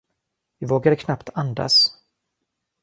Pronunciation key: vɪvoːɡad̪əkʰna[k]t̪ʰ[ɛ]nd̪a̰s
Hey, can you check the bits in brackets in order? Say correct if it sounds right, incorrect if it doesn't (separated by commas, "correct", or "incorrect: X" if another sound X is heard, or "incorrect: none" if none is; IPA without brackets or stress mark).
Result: incorrect: p, incorrect: a